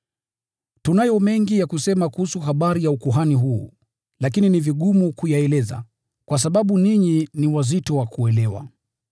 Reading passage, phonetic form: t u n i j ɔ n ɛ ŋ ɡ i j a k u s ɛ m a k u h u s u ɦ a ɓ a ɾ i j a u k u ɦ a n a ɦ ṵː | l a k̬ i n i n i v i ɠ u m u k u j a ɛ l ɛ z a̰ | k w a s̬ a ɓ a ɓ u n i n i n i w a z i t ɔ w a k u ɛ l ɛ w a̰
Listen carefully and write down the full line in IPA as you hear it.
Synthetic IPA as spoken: t u n a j ɔ m ɛ ŋ ɡ i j a k u s ɛ m a k u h u s u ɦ a ɓ a ɾ i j a u k u ɦ a n i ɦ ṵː | l a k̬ i n i n i v i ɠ u m u k u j a ɛ l ɛ z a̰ | k w a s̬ a ɓ a ɓ u n i ɲ i n i w a z i t ɔ w a k u ɛ l ɛ w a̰